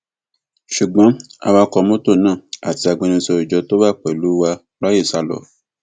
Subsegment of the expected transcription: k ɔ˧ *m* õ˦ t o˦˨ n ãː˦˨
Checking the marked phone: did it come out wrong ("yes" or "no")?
no